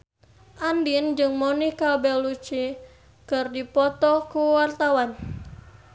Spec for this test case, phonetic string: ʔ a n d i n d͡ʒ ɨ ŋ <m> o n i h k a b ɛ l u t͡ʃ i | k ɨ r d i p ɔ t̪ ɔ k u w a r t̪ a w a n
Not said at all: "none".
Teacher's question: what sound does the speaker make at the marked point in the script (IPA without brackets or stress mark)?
m